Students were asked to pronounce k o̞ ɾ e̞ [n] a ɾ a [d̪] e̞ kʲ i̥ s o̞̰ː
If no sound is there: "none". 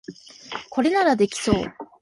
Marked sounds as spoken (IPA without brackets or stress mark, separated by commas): n, d̪